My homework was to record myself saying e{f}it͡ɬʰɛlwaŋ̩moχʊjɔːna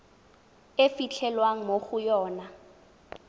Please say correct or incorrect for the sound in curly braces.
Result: correct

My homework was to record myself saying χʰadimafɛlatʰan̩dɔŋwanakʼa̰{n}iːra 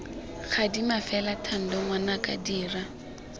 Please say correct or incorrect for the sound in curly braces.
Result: incorrect: d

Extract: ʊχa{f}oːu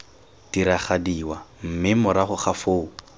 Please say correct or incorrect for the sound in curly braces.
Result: correct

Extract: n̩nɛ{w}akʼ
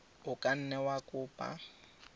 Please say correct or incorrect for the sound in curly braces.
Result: correct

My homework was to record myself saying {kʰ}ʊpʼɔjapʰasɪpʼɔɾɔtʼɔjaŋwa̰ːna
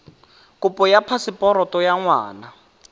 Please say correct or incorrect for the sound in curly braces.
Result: incorrect: k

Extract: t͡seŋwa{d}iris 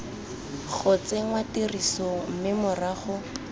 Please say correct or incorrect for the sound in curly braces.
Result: incorrect: t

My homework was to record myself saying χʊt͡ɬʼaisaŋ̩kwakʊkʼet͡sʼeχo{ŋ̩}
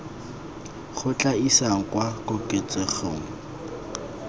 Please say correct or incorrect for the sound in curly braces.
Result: correct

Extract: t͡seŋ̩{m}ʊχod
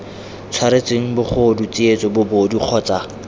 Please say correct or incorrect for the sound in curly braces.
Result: incorrect: b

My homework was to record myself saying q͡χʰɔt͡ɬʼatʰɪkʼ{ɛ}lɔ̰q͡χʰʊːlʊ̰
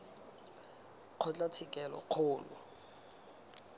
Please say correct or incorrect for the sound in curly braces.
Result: correct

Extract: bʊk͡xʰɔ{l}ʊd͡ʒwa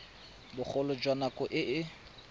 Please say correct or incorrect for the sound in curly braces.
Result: correct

